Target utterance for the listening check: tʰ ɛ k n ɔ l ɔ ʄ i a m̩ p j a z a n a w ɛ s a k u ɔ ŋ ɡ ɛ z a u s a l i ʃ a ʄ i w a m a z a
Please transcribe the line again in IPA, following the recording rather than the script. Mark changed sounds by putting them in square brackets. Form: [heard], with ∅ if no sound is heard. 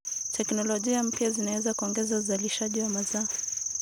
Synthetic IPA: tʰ ɛ k n ɔ l ɔ ʄ i a m̩ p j a z [i] n a w ɛ [z] a k u ɔ ŋ ɡ ɛ z a u [z] a l i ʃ a ʄ i w a m a z a